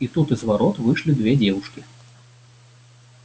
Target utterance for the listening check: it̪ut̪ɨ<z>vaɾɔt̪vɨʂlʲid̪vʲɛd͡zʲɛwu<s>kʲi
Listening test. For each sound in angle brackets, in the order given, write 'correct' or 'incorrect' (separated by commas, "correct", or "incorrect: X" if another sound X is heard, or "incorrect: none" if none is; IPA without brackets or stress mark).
correct, incorrect: ʂ